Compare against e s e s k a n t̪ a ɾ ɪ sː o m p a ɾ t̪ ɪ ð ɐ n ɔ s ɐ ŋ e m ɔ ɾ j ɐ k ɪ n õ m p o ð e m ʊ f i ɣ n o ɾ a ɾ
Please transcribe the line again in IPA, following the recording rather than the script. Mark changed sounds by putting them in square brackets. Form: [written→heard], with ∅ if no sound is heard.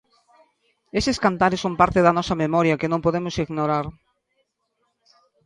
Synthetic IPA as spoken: e s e s k a n t̪ a ɾ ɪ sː o m p a ɾ t̪ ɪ ð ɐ n ɔ s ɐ [ŋ→m] e m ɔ ɾ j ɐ k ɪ n õ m p o ð e m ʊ [f→s] i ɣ n o ɾ a ɾ

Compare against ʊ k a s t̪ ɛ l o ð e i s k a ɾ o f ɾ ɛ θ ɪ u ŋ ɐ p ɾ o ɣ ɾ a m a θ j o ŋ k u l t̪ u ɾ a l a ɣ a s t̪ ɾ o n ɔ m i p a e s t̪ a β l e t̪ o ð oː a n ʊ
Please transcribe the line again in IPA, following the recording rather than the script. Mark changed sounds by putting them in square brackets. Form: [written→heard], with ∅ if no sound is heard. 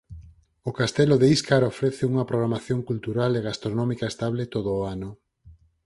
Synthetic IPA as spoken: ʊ k a s t̪ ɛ l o ð e i s k a ɾ o f ɾ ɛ θ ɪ u ŋ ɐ p ɾ o ɣ ɾ a m a θ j o ŋ k u l t̪ u ɾ a l [a→e] ɣ a s t̪ ɾ o n ɔ m i [p→k] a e s t̪ a β l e t̪ o ð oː a n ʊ

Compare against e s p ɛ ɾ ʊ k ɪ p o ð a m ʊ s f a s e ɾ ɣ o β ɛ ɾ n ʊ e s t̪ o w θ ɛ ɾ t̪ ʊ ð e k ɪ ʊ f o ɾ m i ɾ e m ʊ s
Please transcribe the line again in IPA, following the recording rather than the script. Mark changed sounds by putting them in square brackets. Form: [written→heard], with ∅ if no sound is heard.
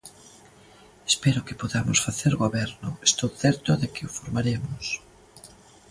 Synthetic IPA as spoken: e s p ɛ ɾ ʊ k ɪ p o ð a m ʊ s f a [s→θ] e ɾ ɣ o β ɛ ɾ n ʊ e s t̪ o w θ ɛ ɾ t̪ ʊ ð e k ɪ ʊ f o ɾ m [i→a] ɾ e m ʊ s

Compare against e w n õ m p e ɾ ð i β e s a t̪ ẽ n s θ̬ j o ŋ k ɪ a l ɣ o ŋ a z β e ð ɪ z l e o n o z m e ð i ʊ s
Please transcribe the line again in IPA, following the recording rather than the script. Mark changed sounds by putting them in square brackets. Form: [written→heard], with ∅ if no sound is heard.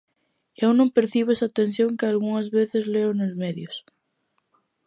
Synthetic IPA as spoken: e w n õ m p e ɾ [ð→θ] i β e s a t̪ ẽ n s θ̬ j o ŋ k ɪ a l ɣ [o→u] ŋ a z β e [ð→θ] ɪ z l e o n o z m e ð [i→j] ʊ s

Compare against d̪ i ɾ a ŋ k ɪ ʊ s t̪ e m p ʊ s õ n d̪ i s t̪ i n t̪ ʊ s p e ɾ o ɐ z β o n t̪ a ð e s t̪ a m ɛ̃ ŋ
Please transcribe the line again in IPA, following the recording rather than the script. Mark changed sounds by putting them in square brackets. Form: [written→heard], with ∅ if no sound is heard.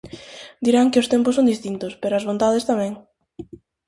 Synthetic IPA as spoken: d̪ i ɾ a ŋ k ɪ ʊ s t̪ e m p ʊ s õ n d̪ i s t̪ i n t̪ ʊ s p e ɾ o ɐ z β o n t̪ a ð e s t̪ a m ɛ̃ ŋ

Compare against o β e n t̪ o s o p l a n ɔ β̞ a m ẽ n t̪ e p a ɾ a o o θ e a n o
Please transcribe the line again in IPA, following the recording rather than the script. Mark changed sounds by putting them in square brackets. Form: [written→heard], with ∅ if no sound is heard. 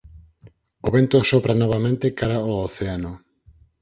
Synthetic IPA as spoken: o β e n t̪ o s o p [l→ɾ] a n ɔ β̞ a m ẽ n t̪ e [p→k] a ɾ a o o θ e a n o

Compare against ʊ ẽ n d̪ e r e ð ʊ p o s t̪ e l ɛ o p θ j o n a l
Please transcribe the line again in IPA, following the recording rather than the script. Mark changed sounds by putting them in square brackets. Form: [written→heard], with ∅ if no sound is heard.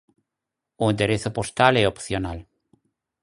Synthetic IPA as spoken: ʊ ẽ n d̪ e [r→ɾ] e [ð→θ] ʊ p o s t̪ [e→a] l ɛ o p θ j o n a l

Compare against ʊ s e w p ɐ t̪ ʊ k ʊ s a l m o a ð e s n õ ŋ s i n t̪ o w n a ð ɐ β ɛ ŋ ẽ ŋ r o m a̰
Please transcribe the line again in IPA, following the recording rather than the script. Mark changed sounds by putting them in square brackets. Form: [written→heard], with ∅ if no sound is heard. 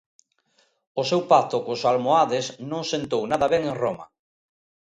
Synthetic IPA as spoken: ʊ s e w p [ɐ→a] t̪ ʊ k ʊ s a l m o a ð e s n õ ŋ s [i→e] n t̪ o w n a ð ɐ β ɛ ŋ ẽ ŋ r o m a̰

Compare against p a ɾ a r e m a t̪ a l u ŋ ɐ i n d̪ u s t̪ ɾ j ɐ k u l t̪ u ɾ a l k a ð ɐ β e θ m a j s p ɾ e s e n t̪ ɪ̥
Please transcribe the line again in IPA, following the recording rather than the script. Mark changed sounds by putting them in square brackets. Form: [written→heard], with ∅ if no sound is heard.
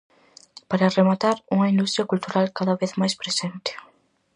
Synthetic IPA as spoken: p a ɾ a r e m a t̪ a [l→ɾ] u ŋ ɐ i n d̪ u s t̪ ɾ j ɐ k u l t̪ u ɾ a l k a ð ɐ β e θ m a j s p ɾ e s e n t̪ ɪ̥

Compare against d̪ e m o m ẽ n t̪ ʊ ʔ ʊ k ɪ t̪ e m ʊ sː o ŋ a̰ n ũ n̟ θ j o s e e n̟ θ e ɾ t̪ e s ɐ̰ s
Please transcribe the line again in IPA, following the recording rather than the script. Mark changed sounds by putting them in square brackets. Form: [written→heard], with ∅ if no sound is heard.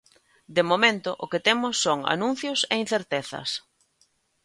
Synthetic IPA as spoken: d̪ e m o m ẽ n t̪ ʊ ʔ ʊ k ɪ t̪ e m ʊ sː o ŋ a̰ n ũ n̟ θ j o s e [e→i] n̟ θ e ɾ t̪ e [s→θ] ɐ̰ s

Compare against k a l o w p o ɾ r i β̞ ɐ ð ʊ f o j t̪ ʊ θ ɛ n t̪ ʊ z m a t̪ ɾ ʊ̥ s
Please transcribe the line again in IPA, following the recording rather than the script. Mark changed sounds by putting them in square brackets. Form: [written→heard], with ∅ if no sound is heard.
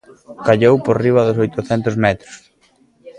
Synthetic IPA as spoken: k a [l→ʎ] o w p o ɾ r i β̞ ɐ ð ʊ [f→s] o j t̪ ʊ θ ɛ n t̪ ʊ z m [a→ɛ] t̪ ɾ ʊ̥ s

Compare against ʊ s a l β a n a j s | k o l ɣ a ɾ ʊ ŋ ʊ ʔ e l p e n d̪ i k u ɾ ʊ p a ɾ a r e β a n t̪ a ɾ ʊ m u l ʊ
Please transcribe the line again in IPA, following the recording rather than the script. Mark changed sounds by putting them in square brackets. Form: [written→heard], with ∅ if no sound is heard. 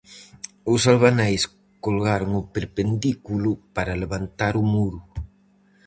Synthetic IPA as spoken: ʊ s a l β a n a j s | k o l ɣ a ɾ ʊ ŋ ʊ [ʔ→p] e [l→ɾ] p e n d̪ i k u [ɾ→l] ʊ p a ɾ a [r→l] e β a n t̪ a ɾ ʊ m u [l→ɾ] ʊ

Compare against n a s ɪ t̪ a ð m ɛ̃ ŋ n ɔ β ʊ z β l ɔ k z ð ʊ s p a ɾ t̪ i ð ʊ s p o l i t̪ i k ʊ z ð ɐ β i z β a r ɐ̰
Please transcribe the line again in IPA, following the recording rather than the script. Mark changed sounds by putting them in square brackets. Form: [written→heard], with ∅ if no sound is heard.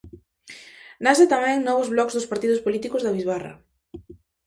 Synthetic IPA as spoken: n a s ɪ t̪ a [ð→∅] m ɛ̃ ŋ n ɔ β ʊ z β l ɔ k z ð ʊ s p a ɾ t̪ i ð ʊ s p o l i t̪ i k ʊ z ð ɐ β i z β a r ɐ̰

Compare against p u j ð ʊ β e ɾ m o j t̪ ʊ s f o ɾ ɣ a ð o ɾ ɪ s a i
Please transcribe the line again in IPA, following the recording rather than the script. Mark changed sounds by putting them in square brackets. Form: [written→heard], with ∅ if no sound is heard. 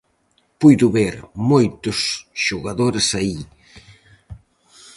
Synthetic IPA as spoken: p u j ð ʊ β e ɾ m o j t̪ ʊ s [f→ʃ] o [ɾ→∅] ɣ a ð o ɾ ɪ s a i

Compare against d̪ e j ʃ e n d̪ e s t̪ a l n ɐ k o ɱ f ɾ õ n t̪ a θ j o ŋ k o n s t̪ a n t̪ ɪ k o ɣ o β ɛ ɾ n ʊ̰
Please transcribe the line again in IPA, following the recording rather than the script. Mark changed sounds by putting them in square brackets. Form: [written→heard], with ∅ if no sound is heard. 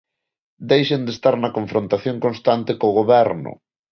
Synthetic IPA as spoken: d̪ e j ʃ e n d̪ e s t̪ a [l→ɾ] n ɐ k o ɱ f ɾ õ n t̪ a θ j o ŋ k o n s t̪ a n t̪ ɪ k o ɣ o β ɛ ɾ n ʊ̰

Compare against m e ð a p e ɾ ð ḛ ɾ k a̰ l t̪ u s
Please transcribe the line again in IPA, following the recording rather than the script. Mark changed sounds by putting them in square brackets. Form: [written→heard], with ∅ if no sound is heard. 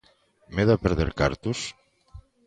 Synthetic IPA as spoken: m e ð a p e ɾ ð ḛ ɾ k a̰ [l→ɾ] t̪ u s

